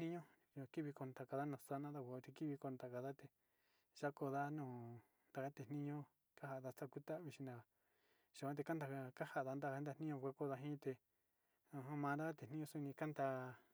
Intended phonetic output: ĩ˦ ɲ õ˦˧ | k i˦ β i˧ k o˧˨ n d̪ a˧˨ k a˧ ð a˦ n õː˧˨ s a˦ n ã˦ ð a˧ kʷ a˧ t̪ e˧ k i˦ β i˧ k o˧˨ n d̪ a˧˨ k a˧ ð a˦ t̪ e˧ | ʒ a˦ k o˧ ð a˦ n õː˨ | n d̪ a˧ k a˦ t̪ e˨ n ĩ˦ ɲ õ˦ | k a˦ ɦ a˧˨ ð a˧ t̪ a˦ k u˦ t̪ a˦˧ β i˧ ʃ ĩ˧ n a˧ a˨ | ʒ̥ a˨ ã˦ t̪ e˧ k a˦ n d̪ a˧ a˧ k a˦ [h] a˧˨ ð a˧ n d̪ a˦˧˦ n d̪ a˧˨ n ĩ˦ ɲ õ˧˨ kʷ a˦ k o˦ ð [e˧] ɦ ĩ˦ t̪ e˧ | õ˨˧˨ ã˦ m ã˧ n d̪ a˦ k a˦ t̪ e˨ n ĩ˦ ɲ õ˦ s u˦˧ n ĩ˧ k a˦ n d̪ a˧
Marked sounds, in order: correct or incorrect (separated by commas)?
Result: correct, incorrect